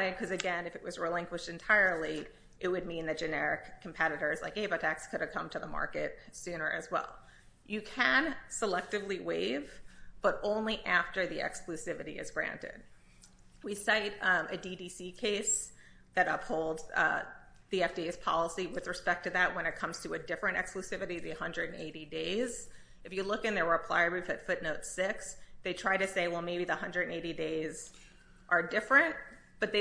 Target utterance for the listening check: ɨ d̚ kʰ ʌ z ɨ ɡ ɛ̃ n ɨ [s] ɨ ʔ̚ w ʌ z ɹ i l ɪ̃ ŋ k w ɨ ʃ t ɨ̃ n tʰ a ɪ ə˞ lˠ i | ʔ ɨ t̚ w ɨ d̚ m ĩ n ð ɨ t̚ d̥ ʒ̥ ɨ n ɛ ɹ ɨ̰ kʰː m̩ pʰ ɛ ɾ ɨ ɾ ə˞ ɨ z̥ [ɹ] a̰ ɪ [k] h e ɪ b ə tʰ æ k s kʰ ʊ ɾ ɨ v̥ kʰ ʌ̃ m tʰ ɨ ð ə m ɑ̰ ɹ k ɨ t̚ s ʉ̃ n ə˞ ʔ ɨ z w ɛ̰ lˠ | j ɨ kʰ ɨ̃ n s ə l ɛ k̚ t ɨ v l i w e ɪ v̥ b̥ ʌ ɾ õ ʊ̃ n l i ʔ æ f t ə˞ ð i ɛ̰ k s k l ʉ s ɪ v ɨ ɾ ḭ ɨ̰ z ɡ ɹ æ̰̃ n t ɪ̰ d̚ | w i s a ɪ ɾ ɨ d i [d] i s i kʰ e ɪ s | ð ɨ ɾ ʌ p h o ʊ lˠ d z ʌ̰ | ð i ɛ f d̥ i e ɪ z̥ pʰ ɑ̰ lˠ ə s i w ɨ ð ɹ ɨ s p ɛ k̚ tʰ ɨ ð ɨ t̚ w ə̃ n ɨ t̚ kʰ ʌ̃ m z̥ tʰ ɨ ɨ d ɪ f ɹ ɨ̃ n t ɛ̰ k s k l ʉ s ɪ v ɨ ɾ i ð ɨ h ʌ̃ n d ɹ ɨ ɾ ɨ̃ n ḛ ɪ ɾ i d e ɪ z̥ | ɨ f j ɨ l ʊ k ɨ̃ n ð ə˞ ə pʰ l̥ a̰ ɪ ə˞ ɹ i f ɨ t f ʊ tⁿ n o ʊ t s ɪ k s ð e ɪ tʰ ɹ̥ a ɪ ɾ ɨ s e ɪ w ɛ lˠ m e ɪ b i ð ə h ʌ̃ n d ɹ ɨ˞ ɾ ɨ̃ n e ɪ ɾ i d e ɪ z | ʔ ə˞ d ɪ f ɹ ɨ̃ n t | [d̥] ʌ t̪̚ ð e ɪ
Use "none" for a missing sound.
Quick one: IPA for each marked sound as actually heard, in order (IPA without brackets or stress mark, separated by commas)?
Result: f, l, k, d, b̥